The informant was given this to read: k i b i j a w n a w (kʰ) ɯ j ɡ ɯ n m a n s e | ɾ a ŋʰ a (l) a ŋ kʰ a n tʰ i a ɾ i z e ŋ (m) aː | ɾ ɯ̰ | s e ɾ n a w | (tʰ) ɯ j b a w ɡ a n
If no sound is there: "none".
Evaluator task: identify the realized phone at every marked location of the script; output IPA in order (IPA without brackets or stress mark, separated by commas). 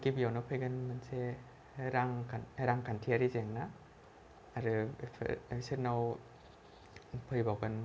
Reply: pʰ, ɾ, n, pʰ